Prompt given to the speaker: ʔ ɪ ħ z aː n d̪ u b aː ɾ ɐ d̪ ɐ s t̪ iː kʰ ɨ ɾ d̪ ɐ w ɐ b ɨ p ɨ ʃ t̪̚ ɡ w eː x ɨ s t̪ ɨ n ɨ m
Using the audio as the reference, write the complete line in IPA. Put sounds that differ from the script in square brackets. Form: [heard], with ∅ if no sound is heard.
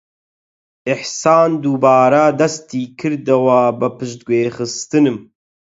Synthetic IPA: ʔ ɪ ħ [s] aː n d̪ u b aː ɾ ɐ d̪ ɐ s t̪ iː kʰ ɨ ɾ d̪ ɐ w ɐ b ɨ p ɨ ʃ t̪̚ ɡ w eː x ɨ s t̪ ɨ n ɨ m

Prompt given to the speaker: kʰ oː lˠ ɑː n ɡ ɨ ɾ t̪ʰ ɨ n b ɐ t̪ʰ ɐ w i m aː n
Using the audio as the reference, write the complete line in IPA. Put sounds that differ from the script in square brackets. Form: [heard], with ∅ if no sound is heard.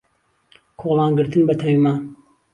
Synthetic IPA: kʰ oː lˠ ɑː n ɡ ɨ ɾ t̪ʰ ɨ n b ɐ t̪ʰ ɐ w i m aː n

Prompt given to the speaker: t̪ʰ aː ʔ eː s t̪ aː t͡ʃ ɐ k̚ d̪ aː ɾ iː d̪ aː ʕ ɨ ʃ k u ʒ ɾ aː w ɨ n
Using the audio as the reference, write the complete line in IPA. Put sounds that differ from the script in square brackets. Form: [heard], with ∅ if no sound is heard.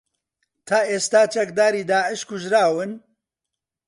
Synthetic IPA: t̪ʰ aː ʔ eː s t̪ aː t͡ʃ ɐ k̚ d̪ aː ɾ iː d̪ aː ʕ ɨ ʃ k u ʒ ɾ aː w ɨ n

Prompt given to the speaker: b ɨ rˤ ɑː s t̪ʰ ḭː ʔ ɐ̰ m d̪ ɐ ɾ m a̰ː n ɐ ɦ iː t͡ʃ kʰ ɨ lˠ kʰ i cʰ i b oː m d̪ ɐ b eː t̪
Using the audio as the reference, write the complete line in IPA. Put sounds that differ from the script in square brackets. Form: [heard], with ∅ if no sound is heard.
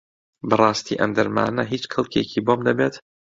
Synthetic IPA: b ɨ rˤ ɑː s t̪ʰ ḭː ʔ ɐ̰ m d̪ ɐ ɾ m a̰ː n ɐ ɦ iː t͡ʃ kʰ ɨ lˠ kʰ [e] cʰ i b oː m d̪ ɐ b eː t̪

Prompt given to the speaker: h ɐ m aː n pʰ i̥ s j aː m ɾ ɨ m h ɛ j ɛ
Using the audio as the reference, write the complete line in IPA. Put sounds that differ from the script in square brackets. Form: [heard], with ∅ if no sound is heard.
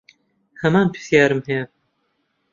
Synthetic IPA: h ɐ m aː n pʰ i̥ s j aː [∅] ɾ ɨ m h ɛ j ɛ

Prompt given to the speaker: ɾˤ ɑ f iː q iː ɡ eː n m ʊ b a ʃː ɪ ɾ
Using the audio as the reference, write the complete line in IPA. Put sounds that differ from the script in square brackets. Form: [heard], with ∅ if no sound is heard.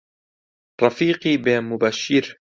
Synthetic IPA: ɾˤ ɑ f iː q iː [b] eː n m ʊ b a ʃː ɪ ɾ

